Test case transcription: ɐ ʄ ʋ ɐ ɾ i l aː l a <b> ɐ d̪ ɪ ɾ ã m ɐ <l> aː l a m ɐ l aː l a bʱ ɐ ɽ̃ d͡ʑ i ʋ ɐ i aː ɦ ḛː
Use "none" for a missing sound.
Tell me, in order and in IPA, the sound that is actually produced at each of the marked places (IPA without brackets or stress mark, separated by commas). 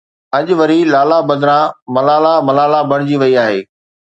b, l